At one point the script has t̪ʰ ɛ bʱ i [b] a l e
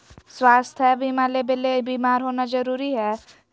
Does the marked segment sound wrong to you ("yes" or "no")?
yes